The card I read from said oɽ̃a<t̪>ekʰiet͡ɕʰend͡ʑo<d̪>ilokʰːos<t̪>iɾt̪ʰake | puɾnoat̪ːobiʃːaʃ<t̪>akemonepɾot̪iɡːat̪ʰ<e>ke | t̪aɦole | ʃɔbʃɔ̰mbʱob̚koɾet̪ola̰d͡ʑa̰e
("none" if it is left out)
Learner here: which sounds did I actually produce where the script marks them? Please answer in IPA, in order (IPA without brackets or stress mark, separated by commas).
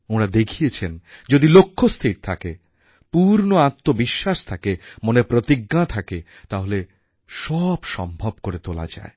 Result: d̪, d̪, t̪ʰ, t̪ʰ, a